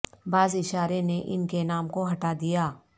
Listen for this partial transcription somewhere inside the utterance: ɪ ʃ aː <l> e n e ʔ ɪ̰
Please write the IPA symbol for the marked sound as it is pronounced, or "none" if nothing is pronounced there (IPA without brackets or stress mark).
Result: ɾ